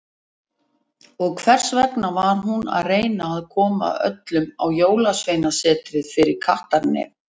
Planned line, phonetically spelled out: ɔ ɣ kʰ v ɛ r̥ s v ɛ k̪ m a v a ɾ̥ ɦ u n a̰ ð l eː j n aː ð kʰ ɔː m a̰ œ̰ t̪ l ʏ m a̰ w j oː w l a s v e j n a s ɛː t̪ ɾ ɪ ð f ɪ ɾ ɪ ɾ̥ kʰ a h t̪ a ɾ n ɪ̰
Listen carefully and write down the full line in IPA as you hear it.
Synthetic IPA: ɔ ɣ kʰ v ɛ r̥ s v ɛ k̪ n a v a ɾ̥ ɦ u n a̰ ð r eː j n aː ð kʰ ɔː m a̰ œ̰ t̪ l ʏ m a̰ w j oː w l a s v e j n a s ɛː t̪ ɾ ɪ ð f ɪ ɾ ɪ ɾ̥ kʰ a h t̪ a ɾ n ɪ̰